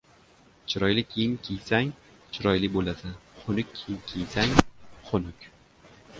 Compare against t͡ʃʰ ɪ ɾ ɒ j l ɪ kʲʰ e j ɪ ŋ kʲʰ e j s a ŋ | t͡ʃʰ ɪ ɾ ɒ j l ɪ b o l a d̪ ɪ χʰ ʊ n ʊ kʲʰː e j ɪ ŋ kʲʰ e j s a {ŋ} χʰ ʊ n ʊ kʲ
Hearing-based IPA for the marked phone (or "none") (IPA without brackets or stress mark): ŋ